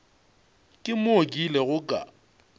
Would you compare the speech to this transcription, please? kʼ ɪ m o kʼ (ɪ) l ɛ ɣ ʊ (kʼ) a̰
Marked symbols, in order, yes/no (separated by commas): no, yes